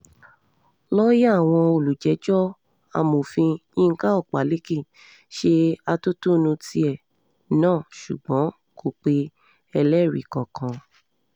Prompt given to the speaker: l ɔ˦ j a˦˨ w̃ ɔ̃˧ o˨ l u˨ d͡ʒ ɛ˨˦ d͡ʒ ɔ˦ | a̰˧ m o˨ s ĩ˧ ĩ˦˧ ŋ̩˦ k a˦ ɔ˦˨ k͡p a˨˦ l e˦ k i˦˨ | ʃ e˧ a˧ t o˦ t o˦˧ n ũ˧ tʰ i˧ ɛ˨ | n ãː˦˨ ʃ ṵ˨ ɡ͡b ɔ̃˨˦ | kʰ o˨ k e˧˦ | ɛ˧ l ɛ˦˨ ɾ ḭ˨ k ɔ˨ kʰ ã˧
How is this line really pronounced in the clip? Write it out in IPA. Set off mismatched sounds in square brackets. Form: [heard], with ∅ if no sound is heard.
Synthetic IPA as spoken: l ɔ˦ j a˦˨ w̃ ɔ̃˧ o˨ l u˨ d͡ʒ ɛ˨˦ d͡ʒ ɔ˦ | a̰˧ m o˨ [f] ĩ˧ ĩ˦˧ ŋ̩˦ k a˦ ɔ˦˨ k͡p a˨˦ l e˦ k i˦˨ | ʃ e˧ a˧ t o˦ t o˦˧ n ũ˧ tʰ i˧ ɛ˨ | n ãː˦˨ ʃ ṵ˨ ɡ͡b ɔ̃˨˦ | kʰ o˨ [k͡p] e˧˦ | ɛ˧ l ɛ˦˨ ɾ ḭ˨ k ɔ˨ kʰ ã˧